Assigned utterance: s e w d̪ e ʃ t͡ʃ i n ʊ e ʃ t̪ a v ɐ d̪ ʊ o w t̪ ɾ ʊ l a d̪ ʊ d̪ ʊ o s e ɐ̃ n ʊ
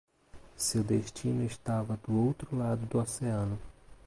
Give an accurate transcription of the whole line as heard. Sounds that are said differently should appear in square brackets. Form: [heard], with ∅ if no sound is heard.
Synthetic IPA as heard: s e w d̪ e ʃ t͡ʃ i n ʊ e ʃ t̪ a v ɐ d̪ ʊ o w t̪ ɾ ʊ l a d̪ ʊ d̪ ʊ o s e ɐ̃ n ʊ